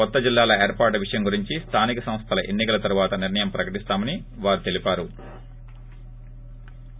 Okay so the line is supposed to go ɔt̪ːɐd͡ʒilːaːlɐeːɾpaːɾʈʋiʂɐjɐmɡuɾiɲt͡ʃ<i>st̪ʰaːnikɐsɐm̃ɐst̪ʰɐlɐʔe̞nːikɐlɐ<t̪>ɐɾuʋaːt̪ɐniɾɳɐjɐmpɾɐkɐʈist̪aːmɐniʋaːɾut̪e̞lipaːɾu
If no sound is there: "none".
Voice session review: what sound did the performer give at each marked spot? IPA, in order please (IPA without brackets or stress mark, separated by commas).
i, t̪